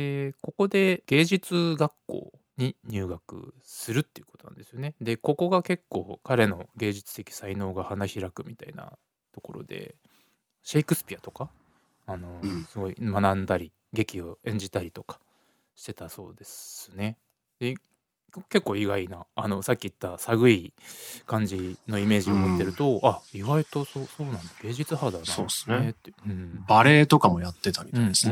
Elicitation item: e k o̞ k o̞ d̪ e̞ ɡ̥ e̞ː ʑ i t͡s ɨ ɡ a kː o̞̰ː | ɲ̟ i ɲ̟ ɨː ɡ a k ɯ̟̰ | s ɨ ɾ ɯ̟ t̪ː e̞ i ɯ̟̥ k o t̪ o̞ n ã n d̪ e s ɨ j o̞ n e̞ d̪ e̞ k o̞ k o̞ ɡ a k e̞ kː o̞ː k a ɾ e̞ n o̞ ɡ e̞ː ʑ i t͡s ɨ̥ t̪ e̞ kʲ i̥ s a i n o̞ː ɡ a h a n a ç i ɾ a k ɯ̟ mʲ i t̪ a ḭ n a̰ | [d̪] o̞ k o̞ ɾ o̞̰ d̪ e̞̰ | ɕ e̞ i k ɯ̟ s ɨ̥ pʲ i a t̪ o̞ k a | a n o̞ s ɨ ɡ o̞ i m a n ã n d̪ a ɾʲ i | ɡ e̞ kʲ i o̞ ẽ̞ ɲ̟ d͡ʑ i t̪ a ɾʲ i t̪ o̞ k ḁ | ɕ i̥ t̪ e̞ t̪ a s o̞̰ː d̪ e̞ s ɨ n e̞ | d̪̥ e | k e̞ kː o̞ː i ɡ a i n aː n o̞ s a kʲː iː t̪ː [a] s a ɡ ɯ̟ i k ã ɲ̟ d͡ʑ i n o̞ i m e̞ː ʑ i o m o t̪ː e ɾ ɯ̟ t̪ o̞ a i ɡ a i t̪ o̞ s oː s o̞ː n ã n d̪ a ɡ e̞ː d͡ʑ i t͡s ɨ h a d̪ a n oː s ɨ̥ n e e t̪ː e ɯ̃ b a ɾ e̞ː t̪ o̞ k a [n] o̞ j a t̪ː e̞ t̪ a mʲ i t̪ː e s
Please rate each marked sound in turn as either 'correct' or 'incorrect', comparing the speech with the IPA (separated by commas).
incorrect, correct, incorrect